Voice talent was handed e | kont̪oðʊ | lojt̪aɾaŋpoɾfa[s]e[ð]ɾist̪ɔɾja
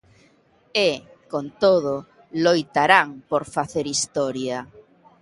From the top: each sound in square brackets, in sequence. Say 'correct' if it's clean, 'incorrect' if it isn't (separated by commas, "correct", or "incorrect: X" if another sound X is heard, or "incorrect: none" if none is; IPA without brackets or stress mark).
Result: incorrect: θ, incorrect: none